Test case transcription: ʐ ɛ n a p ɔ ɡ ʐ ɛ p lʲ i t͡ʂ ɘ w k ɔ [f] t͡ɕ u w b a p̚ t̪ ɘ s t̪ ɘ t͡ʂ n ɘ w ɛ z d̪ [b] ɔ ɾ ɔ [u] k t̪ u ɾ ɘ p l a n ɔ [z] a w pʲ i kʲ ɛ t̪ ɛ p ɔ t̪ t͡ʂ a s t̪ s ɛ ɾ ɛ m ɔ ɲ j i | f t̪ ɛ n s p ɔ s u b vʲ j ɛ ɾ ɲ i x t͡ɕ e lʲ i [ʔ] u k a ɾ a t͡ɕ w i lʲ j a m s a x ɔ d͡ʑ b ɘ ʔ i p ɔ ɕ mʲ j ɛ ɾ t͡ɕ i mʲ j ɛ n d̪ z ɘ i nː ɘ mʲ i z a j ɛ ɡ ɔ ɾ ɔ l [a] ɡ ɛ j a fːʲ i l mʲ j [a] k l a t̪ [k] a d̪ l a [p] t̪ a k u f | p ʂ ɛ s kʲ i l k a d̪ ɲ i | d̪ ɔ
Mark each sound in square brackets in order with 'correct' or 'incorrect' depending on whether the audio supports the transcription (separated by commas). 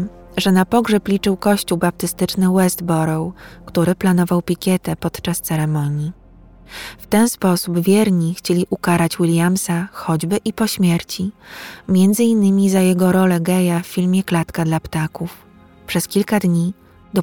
incorrect, correct, incorrect, incorrect, correct, incorrect, incorrect, correct, correct